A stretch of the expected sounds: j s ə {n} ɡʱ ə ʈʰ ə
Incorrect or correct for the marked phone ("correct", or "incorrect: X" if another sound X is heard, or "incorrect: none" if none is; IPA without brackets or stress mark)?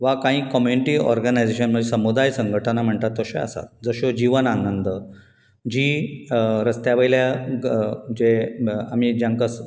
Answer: incorrect: ŋ